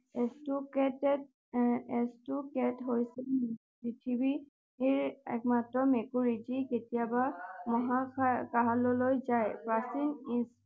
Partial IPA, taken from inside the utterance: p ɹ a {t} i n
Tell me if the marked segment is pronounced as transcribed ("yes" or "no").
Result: no